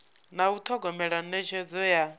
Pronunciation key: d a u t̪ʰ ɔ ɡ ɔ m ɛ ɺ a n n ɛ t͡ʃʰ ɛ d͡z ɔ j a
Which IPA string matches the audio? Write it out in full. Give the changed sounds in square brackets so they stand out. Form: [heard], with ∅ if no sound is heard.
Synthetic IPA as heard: [n] a u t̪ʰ ɔ ɡ ɔ m ɛ ɺ a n n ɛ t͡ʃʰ ɛ d͡z ɔ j a